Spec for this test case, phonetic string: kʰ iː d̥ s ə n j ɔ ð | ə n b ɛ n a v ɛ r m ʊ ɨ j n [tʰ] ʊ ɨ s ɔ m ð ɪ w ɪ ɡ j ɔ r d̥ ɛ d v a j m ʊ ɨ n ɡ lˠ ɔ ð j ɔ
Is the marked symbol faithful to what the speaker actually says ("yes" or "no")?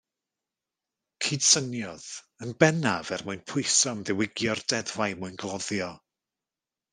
no